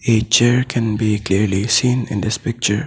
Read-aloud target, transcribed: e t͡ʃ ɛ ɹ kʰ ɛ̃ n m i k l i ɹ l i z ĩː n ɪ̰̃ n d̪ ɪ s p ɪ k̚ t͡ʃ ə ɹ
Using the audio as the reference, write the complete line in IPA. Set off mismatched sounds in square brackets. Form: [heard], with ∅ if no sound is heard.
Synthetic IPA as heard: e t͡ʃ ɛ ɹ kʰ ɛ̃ n [b] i k l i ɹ l i [s] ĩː n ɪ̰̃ n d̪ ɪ s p ɪ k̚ t͡ʃ ə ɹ

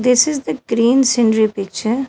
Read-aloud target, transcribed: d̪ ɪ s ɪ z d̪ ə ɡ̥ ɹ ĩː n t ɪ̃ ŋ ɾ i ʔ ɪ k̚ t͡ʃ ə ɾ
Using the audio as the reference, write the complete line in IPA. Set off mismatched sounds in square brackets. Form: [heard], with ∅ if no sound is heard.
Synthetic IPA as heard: d̪ ɪ s ɪ z d̪ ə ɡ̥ [ɾ] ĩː n [s] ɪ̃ [n] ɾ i [p] ɪ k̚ t͡ʃ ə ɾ

